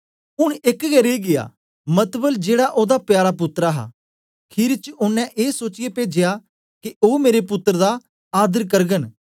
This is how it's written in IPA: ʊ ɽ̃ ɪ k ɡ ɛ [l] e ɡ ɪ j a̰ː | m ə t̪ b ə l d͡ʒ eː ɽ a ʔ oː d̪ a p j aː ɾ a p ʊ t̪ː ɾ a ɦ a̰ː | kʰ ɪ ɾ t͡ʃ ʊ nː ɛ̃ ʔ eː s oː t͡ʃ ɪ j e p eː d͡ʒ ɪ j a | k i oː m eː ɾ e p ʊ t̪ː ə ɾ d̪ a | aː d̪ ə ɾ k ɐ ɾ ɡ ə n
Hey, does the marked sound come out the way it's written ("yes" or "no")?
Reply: no